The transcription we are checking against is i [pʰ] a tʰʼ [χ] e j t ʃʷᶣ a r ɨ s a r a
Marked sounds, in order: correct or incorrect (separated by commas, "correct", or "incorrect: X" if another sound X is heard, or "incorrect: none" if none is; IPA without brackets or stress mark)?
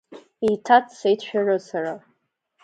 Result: incorrect: tʰ, incorrect: s